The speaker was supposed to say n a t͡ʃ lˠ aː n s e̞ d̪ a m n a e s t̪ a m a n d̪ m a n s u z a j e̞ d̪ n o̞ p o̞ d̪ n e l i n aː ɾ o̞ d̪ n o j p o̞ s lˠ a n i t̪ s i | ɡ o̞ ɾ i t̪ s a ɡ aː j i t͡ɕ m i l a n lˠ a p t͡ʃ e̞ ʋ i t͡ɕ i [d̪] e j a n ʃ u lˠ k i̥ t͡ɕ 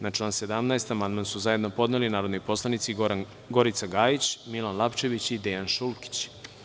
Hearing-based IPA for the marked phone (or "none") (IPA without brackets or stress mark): d̪